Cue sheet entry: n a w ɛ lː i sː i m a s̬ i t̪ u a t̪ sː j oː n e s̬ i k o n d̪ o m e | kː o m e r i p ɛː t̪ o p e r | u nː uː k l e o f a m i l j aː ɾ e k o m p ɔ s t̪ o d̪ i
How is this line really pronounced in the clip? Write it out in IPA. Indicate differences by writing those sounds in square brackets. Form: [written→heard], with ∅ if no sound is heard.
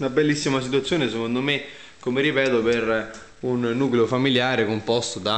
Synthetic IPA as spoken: n a [w→b] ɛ lː i sː i m a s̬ i t̪ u a t̪ sː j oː n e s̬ [i→e] k o n d̪ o m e | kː o m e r i p ɛː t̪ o p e r | u nː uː k l e o f a m i l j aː ɾ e k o m p ɔ s t̪ o d̪ [i→a]

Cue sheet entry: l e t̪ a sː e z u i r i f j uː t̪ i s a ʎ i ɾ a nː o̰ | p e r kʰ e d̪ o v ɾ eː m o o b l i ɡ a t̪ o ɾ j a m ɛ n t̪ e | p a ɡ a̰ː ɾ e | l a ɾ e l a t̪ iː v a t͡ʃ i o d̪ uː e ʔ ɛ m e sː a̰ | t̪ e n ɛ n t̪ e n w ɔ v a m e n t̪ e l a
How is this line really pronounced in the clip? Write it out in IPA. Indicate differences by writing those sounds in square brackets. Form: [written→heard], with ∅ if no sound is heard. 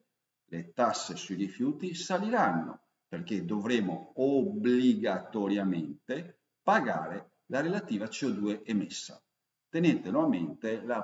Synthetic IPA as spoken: l e t̪ a sː e [z→s] u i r i f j uː t̪ i s a [ʎ→l] i ɾ a nː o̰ | p e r [kʰ→k] e d̪ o v ɾ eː m o o b l i ɡ a t̪ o ɾ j a m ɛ n t̪ e | p a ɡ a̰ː ɾ e | l a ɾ e l a t̪ iː v a t͡ʃ i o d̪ uː e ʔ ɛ m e sː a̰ | t̪ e n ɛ n t̪ e n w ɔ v a m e n t̪ e l a

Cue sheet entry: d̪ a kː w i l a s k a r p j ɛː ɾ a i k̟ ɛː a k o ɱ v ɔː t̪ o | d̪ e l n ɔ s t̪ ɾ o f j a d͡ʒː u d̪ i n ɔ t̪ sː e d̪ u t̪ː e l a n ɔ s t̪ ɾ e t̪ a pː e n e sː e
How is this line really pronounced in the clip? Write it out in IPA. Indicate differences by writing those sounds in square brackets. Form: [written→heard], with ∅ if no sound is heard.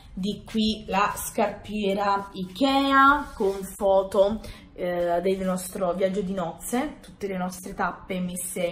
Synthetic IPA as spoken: d̪ [a→i] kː w i l a s k a r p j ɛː ɾ a i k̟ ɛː a k o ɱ [v→f] ɔː t̪ o | d̪ e l n ɔ s t̪ ɾ o [f→v] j a d͡ʒː [u→o] d̪ i n ɔ t̪ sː e [d̪→t̪] u t̪ː e l [a→e] n ɔ s t̪ ɾ e t̪ a pː e [n→m] e sː e

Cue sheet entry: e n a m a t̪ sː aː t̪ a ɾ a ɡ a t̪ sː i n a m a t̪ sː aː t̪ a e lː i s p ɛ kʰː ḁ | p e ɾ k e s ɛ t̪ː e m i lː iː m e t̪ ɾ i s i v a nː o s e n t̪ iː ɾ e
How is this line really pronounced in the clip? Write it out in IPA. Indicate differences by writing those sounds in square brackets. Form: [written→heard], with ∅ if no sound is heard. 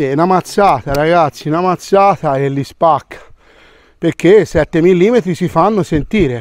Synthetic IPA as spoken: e n a m a t̪ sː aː t̪ a ɾ a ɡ a t̪ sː i n a m a t̪ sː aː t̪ a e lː i s p [ɛ→a] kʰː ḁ | p e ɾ k e s ɛ t̪ː e m i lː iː m e t̪ ɾ i s i [v→f] a nː o s e n t̪ iː ɾ e

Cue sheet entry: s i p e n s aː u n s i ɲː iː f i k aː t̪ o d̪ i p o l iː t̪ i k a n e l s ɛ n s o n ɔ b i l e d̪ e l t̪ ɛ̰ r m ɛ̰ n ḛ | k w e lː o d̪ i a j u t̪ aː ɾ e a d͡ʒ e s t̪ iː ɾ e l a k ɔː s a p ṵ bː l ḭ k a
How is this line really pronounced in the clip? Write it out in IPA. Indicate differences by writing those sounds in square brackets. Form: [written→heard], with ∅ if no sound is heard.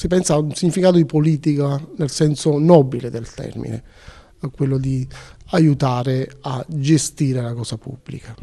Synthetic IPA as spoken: s i p [e→ɛ] n s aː u n s i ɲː [iː→i] f i k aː t̪ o d̪ i p o l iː t̪ i k a n e l s ɛ n s o n ɔ b i l e d̪ e l t̪ ɛ̰ r m [ɛ̰→ḭ] n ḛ | k w e lː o d̪ i a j u t̪ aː ɾ e a d͡ʒ e s t̪ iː ɾ e l a k ɔː s a p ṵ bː l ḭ k a

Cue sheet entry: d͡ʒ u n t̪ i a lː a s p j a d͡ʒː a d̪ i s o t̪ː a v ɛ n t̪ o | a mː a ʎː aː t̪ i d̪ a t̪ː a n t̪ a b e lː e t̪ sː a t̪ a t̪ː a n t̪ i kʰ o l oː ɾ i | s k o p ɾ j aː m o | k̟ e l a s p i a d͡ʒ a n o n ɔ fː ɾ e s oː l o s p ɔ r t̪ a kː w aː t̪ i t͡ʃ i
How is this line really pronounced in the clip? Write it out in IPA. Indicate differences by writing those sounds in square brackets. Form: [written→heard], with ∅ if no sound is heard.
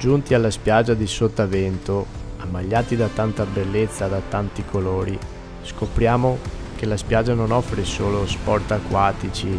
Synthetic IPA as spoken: d͡ʒ u n t̪ i a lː a s p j a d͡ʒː a d̪ i s o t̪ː a v ɛ n t̪ o | a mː a ʎː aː t̪ i d̪ a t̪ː a n t̪ a b e lː e t̪ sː a [t̪→d̪] a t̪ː a n t̪ i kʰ o l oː ɾ i | s k o p ɾ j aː m o | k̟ e l a s p [i→j] a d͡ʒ a n o n ɔ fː ɾ e s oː l o s p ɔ r t̪ a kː w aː t̪ i t͡ʃ i

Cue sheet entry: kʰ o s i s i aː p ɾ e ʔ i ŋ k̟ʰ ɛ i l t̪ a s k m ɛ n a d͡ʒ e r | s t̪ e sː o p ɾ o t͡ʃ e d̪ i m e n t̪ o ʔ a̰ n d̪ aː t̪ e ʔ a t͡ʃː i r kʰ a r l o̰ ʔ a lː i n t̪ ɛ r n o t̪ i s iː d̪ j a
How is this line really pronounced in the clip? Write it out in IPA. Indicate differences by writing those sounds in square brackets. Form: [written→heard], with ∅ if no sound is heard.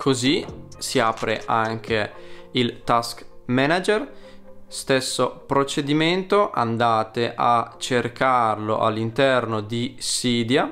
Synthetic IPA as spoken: kʰ o [s→z] i s i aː p ɾ e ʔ [i→a] ŋ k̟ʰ [ɛ→e] i l t̪ a s k m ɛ n a d͡ʒ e r | s t̪ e sː o p ɾ o t͡ʃ e d̪ i m e n t̪ o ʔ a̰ n d̪ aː t̪ e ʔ a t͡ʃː [i→e] r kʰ a r l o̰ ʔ a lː i n t̪ ɛ r n o [t̪→d̪] i s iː d̪ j a

